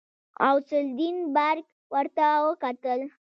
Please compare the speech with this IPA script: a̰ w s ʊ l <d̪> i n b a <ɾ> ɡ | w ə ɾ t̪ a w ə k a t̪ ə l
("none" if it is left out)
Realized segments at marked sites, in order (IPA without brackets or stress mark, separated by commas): d̪, ɾ